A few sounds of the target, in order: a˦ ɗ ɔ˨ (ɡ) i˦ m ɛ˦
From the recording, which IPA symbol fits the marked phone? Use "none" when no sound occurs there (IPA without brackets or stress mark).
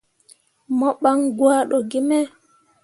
ɡ